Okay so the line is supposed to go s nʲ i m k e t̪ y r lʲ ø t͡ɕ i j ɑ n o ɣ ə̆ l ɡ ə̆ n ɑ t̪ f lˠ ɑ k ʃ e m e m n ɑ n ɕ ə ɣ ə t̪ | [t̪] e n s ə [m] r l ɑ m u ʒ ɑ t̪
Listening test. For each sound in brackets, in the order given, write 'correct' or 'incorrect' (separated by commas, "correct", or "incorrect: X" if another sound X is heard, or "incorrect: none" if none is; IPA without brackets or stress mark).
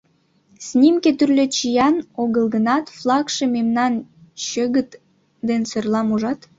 incorrect: d̪, incorrect: none